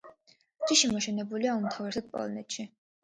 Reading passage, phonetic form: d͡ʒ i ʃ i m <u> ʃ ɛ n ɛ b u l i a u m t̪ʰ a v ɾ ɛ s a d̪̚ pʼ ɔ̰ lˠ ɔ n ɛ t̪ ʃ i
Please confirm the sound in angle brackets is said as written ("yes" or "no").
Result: no